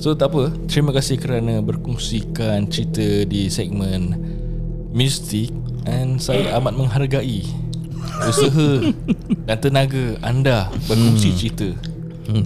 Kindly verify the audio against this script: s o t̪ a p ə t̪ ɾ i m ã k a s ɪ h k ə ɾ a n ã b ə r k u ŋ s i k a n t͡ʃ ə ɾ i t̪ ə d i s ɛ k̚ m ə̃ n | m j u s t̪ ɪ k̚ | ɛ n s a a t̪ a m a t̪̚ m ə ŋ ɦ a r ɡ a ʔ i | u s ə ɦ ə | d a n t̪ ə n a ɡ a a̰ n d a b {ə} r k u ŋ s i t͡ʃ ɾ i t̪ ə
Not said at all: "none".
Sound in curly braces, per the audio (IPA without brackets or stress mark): ə